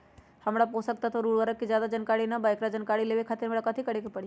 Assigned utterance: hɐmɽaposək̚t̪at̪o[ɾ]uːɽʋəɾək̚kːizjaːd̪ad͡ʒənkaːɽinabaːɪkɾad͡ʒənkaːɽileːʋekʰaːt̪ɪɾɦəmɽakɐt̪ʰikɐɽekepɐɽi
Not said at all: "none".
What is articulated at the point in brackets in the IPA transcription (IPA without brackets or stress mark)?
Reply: ɾ